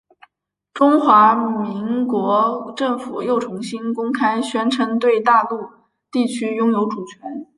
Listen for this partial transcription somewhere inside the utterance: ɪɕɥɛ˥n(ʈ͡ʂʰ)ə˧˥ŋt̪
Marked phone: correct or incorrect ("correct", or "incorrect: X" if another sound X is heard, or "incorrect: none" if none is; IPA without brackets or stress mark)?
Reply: correct